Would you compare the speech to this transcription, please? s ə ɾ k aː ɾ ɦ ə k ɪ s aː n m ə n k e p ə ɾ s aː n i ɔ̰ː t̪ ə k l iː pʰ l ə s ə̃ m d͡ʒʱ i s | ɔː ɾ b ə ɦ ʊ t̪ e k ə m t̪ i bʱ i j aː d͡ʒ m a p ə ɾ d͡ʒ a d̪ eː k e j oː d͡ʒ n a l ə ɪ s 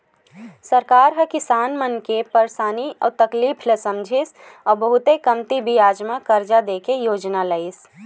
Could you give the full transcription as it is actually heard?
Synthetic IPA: s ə ɾ k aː ɾ ɦ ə k ɪ s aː n m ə n k e p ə ɾ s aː n i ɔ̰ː t̪ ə k l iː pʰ l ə s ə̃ m d͡ʒʱ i s | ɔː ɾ b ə ɦ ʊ t̪ e k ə m t̪ i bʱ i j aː d͡ʒ m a k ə ɾ d͡ʒ a d̪ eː k e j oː d͡ʒ n a l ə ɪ s